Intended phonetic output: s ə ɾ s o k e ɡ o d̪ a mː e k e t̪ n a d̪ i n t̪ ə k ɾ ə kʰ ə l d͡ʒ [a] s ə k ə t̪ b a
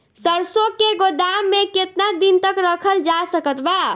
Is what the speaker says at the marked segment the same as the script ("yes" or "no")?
yes